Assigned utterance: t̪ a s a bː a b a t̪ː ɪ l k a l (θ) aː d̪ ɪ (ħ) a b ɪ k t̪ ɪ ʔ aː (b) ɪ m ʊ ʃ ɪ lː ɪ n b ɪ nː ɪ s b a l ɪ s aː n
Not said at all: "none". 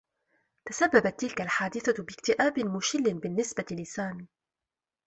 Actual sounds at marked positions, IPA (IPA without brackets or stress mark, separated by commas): ħ, θ, b